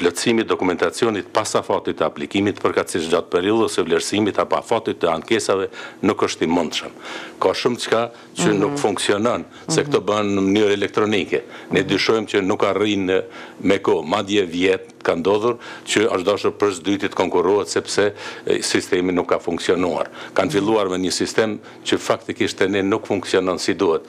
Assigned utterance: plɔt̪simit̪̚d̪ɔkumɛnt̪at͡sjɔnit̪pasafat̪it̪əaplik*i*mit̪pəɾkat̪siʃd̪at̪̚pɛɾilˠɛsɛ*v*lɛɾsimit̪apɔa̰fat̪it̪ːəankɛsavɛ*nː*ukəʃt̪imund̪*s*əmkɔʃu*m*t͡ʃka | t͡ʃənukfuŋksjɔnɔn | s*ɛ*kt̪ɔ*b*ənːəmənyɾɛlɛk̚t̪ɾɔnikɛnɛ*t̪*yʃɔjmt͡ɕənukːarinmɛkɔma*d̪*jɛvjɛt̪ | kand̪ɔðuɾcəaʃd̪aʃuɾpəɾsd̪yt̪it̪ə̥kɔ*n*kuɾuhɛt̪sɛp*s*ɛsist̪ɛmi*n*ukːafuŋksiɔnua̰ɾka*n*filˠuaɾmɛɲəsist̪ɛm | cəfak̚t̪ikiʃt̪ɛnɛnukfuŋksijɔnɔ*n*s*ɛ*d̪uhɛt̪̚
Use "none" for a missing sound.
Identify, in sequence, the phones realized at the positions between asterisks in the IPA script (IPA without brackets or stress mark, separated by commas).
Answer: i, v, n, ʃ, m, ɛ, b, d̪, d̪, ŋ, s, n, n, n, i